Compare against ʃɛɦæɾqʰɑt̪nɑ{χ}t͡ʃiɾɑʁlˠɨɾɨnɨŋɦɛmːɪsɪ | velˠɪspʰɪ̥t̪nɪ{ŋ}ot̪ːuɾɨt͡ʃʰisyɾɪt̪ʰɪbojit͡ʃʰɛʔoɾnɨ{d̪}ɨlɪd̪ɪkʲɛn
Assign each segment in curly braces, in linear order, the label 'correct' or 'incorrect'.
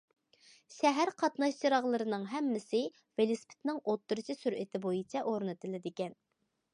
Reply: incorrect: ʃ, correct, incorrect: t̪

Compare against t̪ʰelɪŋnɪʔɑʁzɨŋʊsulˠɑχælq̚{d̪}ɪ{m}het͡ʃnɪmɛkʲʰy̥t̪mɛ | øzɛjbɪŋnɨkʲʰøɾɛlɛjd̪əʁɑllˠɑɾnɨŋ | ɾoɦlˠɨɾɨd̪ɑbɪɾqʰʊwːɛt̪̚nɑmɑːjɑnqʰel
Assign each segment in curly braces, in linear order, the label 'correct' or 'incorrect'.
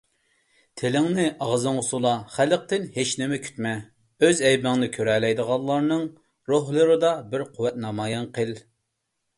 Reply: incorrect: t̪, incorrect: n

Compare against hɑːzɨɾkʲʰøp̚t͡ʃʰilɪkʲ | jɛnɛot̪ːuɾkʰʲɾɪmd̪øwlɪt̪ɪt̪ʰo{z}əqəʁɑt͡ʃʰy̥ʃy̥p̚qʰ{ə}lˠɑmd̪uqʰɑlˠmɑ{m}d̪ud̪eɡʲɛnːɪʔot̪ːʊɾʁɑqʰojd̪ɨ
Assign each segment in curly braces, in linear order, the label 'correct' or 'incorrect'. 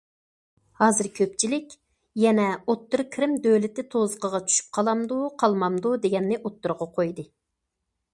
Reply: correct, incorrect: ɑ, correct

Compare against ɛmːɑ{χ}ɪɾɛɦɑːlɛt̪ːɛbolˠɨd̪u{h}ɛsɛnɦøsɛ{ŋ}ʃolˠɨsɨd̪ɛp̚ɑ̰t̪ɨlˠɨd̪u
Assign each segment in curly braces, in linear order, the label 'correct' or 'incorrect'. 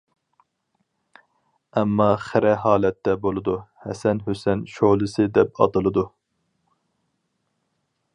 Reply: correct, correct, incorrect: n

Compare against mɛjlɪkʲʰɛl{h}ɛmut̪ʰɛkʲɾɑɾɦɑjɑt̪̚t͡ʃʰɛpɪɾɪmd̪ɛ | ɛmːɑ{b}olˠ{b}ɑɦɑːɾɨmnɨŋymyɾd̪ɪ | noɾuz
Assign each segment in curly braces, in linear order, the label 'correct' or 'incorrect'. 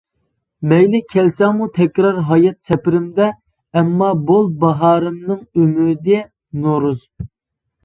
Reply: incorrect: s, correct, correct

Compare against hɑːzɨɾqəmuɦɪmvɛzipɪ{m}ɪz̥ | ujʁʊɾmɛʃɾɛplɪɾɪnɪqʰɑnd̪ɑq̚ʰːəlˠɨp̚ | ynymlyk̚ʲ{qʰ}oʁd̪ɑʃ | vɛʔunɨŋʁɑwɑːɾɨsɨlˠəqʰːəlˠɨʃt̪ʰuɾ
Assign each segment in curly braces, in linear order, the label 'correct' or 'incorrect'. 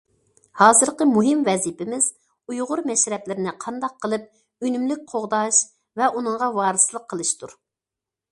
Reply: correct, correct

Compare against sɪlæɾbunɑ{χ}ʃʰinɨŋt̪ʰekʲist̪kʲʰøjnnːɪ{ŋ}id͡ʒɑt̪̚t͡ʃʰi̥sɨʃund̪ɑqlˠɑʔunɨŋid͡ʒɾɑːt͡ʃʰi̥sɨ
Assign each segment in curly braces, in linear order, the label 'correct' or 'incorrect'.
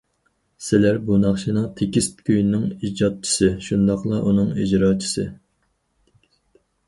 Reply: correct, correct

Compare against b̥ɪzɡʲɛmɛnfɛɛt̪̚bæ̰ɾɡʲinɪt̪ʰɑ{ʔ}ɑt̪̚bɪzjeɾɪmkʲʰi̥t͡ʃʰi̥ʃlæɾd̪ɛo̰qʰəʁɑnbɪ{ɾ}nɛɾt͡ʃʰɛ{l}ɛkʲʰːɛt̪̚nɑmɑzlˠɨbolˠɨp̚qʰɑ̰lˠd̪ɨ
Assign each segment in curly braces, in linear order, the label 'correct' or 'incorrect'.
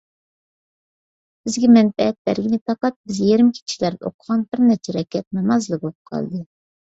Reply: incorrect: q, correct, incorrect: ɾ

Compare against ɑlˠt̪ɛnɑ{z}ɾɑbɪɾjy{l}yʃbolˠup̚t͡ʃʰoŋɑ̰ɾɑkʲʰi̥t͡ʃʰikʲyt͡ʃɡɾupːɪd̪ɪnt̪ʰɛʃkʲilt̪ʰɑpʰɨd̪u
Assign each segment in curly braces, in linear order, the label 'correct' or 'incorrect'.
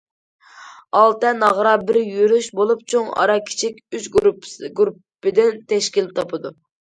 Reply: incorrect: ʁ, incorrect: ɾ

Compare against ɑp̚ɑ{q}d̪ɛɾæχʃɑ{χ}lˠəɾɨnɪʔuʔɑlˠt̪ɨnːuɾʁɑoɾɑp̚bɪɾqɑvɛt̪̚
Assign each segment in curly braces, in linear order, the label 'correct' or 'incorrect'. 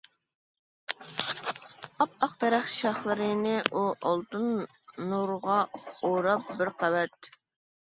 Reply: correct, correct

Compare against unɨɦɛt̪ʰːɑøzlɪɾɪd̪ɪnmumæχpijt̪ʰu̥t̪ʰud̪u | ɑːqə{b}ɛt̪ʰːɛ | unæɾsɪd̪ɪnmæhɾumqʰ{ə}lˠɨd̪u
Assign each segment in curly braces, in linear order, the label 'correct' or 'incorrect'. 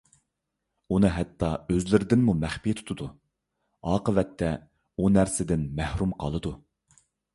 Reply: incorrect: v, incorrect: ɑ

